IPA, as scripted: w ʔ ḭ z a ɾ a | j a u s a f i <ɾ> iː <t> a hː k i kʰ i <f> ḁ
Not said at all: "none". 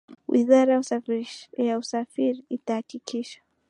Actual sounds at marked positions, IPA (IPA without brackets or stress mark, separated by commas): ɾ, t, ʃ